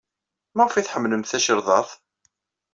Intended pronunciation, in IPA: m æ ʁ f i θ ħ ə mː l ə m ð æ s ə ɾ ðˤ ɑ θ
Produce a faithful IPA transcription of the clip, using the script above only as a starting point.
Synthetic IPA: m æ ʁ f i θ ħ ə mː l ə m θ æ ʃ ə ɾ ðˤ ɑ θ